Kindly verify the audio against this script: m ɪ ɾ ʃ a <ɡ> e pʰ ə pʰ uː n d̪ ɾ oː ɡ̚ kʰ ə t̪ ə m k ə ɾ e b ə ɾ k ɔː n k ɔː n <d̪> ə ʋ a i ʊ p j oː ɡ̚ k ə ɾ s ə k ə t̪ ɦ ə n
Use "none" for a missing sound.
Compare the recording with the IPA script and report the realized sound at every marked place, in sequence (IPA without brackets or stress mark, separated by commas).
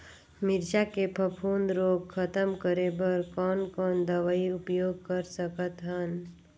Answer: k, d̪